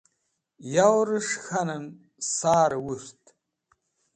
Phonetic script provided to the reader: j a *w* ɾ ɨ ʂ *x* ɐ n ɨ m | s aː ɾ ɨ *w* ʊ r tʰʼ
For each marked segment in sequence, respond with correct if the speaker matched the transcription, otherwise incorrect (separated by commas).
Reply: correct, correct, correct